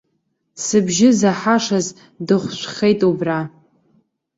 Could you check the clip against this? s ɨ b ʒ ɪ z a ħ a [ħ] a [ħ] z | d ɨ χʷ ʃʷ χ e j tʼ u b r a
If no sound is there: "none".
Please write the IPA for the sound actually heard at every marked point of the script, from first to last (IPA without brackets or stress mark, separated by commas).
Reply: ʂ, none